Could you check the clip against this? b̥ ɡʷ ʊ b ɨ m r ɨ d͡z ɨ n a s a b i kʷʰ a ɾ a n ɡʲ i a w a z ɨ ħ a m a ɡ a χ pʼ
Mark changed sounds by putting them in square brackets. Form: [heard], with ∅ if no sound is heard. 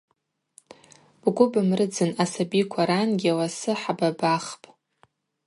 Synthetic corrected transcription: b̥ ɡʷ ʊ b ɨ m r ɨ d͡z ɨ n a s a b i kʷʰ a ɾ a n ɡʲ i a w a [s] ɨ ħ a [b] a [b] a χ pʼ

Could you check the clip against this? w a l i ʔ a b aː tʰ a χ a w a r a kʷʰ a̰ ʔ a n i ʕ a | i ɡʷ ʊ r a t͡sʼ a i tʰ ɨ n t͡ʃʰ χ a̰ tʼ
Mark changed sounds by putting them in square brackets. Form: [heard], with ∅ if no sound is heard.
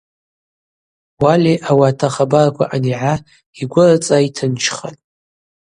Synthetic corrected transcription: w a l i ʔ a [w] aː tʰ a χ a [b] a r a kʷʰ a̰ ʔ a n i ʕ a | i ɡʷ ʊ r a t͡sʼ a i tʰ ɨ n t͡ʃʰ χ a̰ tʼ

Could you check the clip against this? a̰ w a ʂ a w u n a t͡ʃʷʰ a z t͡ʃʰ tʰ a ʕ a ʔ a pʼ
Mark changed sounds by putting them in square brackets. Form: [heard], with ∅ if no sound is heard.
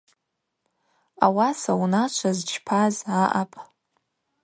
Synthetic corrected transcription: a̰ w a [s] a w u n a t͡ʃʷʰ a z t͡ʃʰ [pʰ] a [z] a ʔ a pʼ

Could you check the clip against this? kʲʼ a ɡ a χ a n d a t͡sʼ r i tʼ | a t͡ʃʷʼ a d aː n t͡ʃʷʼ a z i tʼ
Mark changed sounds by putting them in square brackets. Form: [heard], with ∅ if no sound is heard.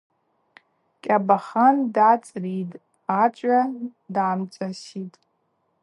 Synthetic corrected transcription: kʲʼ a [b] a χ a n d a t͡sʼ r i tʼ | a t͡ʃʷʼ a d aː [m] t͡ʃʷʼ a [s] i tʼ

